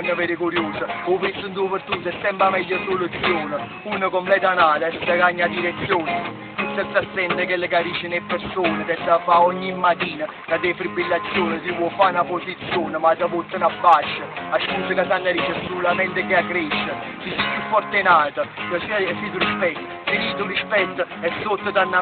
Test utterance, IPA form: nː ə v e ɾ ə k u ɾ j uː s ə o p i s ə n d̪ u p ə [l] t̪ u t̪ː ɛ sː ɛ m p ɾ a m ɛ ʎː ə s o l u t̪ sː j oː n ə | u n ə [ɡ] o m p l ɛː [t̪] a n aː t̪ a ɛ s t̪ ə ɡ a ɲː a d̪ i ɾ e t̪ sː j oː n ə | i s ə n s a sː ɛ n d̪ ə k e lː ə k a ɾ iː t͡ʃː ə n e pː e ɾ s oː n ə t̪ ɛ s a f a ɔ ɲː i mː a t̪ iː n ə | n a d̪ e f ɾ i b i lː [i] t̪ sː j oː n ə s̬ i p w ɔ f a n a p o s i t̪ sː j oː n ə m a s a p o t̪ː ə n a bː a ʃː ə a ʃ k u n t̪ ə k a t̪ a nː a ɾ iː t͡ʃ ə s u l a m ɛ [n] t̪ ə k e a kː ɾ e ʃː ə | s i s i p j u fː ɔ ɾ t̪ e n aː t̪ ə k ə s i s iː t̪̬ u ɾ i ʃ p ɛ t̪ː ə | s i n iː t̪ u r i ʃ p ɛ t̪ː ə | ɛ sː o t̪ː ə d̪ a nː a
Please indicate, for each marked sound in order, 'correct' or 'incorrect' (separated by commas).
incorrect, incorrect, correct, incorrect, correct